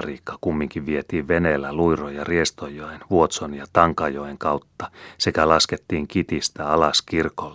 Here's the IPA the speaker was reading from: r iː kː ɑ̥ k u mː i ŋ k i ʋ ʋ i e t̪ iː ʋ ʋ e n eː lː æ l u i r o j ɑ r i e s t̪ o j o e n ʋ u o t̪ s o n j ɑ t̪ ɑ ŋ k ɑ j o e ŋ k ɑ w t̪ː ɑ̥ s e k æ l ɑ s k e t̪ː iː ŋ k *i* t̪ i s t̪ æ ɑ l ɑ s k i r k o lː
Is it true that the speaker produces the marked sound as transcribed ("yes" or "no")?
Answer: yes